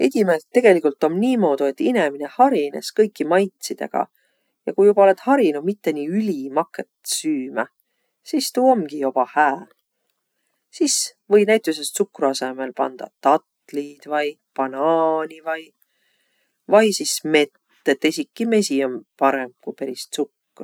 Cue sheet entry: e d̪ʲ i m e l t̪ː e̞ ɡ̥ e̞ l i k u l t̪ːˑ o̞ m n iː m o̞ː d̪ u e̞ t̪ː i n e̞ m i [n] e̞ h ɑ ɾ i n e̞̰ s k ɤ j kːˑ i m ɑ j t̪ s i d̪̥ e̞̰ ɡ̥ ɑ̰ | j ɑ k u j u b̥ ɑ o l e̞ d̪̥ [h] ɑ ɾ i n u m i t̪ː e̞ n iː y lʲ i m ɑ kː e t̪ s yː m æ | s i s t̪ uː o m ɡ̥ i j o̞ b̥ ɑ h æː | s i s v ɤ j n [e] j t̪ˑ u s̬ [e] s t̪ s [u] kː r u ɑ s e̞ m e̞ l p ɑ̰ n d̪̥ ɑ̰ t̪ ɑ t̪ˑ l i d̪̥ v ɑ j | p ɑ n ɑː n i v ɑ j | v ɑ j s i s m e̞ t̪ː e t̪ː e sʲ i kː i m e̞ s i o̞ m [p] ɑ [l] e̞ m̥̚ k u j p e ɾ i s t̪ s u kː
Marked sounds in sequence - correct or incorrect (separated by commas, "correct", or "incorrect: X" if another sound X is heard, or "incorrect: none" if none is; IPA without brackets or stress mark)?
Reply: correct, correct, incorrect: æ, correct, correct, correct, incorrect: ɾ